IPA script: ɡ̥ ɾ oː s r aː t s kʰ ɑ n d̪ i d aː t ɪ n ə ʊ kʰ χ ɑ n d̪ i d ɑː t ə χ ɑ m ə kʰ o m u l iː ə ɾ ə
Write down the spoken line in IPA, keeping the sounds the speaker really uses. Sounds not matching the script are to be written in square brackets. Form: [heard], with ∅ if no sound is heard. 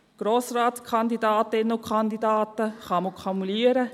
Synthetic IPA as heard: ɡ̥ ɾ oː s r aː t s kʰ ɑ n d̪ i d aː t ɪ n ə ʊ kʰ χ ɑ n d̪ i d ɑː t ə χ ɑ m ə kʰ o m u l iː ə ɾ ə